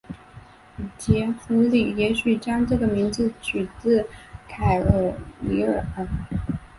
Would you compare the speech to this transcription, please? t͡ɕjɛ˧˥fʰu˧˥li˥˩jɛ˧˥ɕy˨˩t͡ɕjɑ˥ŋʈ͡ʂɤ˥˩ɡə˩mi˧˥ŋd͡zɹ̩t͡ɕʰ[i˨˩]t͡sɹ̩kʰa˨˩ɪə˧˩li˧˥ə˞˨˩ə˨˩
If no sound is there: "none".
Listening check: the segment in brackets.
y˨˩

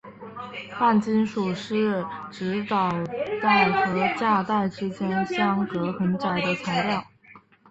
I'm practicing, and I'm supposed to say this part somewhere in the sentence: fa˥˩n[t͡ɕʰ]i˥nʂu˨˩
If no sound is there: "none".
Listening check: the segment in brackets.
t͡ɕ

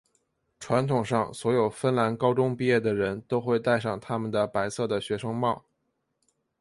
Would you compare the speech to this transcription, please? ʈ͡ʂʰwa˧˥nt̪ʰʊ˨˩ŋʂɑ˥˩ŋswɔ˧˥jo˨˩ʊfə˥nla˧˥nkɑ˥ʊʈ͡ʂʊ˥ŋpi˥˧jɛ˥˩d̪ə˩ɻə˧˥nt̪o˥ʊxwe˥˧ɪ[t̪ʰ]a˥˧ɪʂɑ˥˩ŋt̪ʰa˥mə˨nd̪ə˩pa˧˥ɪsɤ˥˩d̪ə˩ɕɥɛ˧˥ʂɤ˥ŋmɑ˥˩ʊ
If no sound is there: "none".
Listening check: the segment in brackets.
t̪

